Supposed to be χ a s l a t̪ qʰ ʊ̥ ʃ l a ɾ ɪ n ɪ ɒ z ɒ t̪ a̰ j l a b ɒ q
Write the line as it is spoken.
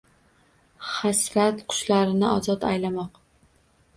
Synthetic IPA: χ a s ɾ a t̪ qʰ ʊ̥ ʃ l a ɾ ɪ n ɪ ɒ z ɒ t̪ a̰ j l a m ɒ q